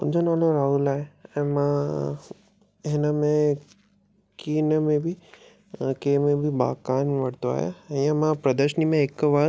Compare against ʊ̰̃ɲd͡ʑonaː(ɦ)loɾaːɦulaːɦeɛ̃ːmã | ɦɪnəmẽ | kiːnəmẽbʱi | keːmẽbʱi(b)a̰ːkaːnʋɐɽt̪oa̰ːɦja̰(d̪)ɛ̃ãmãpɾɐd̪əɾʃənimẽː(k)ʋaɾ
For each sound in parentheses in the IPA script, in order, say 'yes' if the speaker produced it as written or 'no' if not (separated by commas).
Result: no, yes, no, yes